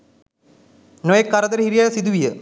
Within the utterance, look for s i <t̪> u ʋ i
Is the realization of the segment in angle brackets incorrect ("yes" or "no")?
yes